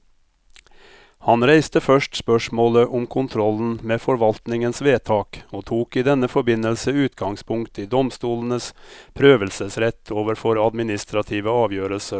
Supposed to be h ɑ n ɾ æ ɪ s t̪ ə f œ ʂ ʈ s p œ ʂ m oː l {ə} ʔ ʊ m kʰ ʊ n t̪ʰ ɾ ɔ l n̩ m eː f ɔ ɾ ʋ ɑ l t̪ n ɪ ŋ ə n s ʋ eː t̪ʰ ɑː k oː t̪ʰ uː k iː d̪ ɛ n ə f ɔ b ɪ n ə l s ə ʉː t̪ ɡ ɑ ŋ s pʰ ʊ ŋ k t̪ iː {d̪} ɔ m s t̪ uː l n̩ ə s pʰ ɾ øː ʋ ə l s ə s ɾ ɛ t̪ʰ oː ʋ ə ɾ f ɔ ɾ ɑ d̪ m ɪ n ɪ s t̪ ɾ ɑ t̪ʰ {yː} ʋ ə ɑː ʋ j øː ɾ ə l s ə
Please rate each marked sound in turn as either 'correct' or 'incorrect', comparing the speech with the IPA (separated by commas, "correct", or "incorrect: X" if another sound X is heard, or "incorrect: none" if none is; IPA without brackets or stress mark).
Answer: correct, correct, incorrect: iː